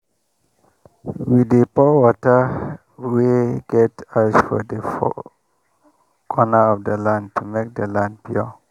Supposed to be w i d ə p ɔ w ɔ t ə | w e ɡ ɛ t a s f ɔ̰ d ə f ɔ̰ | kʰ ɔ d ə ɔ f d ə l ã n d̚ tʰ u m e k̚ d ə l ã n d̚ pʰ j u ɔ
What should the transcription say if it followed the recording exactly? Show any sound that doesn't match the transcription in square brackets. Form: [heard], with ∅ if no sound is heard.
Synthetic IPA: w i d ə p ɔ w ɔ t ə | w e ɡ ɛ t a s f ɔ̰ d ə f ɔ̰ | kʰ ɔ [n] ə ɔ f d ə l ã n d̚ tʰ u m e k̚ d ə l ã n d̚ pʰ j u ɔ